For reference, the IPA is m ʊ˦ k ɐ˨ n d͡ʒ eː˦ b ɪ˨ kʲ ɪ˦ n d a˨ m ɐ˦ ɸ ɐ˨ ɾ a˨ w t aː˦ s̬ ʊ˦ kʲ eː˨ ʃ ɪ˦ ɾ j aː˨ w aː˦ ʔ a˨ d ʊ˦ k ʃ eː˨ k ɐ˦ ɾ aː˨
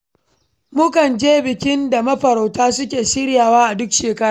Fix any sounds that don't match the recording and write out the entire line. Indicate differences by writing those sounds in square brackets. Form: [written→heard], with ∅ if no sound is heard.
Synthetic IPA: m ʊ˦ k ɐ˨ n d͡ʒ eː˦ b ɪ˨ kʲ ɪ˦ n d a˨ m ɐ˦ ɸ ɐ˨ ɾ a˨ w t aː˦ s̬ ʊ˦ kʲ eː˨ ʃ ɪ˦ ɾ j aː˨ w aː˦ ʔ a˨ d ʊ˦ k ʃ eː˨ k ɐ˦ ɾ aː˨